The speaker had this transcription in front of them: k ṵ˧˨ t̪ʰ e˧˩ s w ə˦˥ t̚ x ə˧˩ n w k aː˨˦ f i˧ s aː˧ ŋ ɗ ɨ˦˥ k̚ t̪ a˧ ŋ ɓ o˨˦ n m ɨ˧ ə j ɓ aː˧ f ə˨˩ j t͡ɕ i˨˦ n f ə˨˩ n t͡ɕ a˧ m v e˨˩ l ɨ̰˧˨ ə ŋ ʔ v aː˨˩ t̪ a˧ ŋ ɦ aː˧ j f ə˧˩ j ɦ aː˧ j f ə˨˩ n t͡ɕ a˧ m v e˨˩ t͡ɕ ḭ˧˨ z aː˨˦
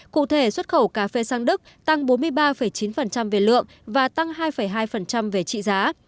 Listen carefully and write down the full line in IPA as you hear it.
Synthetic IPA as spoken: k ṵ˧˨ t̪ʰ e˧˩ s w ə˦˥ t̚ x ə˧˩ w k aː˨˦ f e˧ s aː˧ ŋ ɗ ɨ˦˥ k̚ t̪ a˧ ŋ ɓ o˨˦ n m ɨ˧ ə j ɓ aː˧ f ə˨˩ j t͡ɕ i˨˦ n f ə˨˩ n t͡ɕ a˧ m v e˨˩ l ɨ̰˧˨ ə ŋ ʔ v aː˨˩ t̪ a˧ ŋ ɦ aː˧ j f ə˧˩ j ɦ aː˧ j f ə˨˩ n t͡ɕ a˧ m v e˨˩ t͡ɕ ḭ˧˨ z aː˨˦